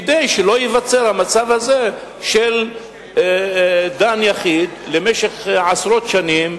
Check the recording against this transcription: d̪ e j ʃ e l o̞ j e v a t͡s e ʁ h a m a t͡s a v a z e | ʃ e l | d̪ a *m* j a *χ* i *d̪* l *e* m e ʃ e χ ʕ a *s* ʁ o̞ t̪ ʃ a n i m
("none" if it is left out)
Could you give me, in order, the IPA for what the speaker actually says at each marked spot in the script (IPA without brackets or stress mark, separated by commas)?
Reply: n, χ, d̪, e, s